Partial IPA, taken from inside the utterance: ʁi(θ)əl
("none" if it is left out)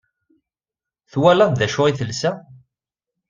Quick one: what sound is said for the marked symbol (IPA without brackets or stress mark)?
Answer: θ